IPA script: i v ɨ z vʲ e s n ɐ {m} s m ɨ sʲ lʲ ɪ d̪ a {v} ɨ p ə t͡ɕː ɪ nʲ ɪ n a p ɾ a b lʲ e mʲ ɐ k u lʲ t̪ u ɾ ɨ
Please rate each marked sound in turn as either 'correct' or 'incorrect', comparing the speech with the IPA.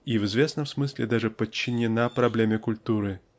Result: correct, incorrect: ʐ

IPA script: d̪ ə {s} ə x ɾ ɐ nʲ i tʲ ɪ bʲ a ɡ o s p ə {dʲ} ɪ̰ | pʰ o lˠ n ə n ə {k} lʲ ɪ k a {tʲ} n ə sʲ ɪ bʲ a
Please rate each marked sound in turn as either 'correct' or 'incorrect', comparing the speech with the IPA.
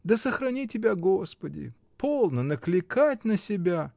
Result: correct, correct, correct, correct

